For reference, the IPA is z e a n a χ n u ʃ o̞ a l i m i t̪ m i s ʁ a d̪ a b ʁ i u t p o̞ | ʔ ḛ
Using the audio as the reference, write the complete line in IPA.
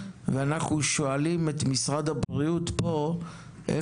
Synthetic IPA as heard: v e a n a χ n u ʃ o̞ a l i m e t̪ m i s ʁ a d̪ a b ʁ i u t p o̞ | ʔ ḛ